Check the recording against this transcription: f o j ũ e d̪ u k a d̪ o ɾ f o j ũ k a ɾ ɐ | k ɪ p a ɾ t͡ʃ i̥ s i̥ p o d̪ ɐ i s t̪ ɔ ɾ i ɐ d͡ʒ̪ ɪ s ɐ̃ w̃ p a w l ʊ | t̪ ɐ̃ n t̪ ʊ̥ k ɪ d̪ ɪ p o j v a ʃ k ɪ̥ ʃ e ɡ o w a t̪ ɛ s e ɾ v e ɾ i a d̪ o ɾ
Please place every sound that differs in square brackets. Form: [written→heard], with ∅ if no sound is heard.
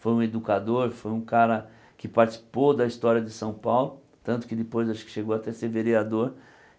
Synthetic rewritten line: f o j ũ e d̪ u k a d̪ o ɾ f o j ũ k a ɾ ɐ | k ɪ p a ɾ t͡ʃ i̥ s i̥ p o d̪ ɐ i s t̪ ɔ ɾ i ɐ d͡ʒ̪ ɪ s ɐ̃ w̃ p a w l ʊ | t̪ ɐ̃ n t̪ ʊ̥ k ɪ d̪ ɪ p o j [v→z] a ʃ k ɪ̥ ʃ e ɡ o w a t̪ ɛ s e ɾ v e ɾ i a d̪ o ɾ